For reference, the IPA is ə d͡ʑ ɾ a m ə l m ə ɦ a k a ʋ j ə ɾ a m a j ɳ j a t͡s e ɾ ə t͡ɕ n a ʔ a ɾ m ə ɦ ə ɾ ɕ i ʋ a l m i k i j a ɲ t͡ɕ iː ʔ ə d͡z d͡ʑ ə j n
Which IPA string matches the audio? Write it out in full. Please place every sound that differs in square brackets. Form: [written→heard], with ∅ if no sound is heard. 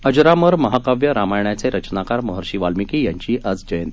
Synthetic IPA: ə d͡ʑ ɾ a m ə [l→ɾ] m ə ɦ a k a ʋ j ə ɾ a m a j ɳ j a t͡s e ɾ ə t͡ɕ n a [ʔ→k] a ɾ m ə ɦ ə ɾ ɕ i ʋ a l m i k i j a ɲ t͡ɕ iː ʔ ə d͡z d͡ʑ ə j n